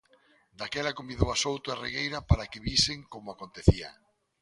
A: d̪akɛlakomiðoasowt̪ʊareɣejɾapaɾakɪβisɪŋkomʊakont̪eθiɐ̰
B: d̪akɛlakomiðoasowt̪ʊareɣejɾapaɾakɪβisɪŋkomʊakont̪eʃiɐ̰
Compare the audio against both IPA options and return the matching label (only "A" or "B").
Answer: A